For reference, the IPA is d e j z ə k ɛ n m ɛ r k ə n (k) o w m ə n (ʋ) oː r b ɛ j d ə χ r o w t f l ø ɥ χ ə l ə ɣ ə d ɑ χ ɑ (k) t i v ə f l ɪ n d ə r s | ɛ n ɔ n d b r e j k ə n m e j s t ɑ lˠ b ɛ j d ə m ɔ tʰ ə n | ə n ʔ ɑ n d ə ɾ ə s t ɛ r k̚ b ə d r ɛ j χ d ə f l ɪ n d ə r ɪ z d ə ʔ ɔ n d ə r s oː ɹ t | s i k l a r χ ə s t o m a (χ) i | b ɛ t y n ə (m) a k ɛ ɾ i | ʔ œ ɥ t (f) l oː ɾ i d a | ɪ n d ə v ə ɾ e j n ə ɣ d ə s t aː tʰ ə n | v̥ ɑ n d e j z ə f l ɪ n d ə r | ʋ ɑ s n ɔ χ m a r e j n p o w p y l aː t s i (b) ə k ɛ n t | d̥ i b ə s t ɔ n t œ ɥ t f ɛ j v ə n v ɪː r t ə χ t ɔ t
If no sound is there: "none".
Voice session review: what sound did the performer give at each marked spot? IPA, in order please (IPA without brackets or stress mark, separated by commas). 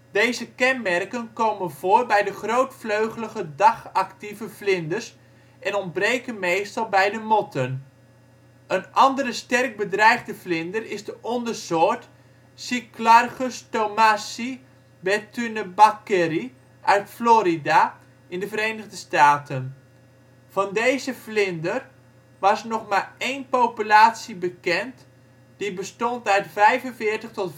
k, v, k, s, b, f, b